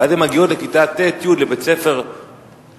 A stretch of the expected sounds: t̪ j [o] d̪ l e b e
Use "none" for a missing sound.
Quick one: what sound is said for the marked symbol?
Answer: u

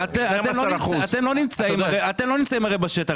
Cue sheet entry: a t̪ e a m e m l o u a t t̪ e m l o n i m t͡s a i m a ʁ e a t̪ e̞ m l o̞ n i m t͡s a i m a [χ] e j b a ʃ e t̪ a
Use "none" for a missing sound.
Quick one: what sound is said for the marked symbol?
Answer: ʁ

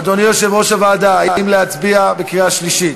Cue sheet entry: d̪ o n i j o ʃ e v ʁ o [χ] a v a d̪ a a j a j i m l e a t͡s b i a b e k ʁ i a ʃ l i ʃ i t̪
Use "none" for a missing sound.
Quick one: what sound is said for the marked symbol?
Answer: ʃ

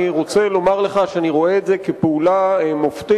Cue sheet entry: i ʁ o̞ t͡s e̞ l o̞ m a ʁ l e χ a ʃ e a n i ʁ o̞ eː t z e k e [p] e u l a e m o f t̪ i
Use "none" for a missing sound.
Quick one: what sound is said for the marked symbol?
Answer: p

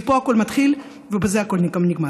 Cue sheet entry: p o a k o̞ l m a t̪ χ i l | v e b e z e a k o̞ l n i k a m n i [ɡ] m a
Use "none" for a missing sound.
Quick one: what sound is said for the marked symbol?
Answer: ɡ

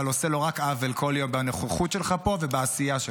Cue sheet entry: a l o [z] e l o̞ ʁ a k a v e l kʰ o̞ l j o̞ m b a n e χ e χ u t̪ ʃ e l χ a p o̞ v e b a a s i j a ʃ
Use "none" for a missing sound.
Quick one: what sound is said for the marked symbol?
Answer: s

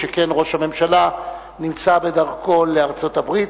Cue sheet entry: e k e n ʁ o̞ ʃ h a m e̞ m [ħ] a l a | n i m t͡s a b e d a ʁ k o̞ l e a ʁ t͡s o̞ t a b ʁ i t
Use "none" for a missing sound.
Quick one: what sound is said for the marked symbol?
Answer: ʃ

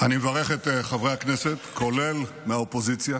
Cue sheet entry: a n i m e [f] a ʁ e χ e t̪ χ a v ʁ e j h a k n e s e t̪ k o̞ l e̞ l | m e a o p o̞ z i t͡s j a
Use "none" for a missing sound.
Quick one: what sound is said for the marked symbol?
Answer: v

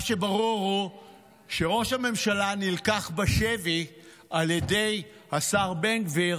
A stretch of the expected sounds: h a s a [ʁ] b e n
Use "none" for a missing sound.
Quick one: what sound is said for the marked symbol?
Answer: ʁ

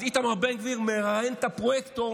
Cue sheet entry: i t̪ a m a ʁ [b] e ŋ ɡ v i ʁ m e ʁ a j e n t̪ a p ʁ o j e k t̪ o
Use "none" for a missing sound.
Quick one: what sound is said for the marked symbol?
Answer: b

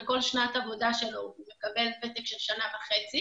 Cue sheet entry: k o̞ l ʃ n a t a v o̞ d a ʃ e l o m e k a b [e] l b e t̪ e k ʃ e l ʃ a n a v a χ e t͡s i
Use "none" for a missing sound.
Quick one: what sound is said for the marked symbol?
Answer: e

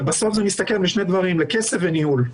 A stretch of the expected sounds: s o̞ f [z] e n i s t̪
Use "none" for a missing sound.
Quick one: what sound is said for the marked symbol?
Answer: z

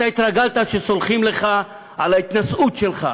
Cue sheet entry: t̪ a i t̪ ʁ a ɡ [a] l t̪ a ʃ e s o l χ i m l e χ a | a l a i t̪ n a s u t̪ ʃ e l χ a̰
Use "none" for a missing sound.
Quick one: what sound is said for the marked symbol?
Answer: a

